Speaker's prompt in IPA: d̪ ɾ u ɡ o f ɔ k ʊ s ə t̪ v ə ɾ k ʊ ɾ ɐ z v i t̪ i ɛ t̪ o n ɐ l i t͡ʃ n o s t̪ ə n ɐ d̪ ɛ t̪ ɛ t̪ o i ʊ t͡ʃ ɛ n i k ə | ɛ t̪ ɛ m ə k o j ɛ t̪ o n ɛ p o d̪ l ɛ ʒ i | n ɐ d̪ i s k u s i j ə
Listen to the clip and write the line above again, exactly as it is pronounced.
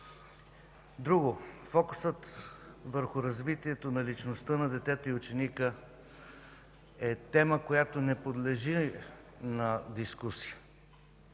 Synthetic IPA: d̪ ɾ u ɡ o f ɔ k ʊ s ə t̪ v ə ɾ x ʊ ɾ ɐ z v i t̪ i ɛ t̪ o n ɐ l i t͡ʃ n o s t̪ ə n ɐ d̪ ɛ t̪ ɛ t̪ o i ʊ t͡ʃ ɛ n i k ə | ɛ t̪ ɛ m ə k o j a t̪ o n ɛ p o d̪ l ɛ ʒ i | n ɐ d̪ i s k u s i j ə